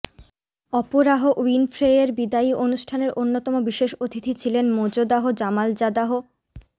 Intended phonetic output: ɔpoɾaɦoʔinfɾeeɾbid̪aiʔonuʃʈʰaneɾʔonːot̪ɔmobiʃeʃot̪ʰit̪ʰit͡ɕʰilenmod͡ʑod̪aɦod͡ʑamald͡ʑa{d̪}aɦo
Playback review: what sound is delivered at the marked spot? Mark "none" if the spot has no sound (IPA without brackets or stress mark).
d̪